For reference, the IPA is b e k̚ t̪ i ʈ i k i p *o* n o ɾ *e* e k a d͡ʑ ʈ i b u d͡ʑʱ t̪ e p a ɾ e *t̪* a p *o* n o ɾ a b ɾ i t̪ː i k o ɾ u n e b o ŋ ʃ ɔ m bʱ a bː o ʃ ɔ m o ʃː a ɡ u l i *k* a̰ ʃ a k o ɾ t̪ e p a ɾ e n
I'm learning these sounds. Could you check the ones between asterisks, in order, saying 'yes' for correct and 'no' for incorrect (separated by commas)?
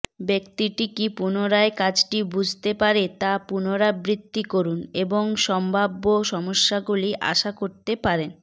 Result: no, no, yes, no, no